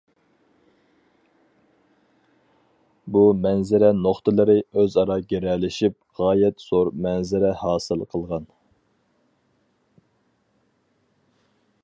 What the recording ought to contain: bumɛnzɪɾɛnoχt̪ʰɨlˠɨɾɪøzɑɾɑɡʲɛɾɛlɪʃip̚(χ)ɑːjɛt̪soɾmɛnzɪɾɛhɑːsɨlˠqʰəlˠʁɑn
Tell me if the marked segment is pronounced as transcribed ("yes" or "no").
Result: no